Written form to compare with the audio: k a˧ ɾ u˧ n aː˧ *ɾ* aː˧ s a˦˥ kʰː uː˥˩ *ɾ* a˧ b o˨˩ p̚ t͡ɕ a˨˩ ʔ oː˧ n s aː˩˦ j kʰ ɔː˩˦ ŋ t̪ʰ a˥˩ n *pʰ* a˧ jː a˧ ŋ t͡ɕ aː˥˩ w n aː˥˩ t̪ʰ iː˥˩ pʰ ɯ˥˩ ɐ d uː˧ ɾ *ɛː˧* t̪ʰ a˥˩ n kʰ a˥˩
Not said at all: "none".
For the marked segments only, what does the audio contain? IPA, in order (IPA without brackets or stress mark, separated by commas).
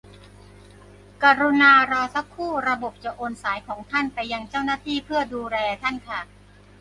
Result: ɾ, ɾ, p, ɛː˧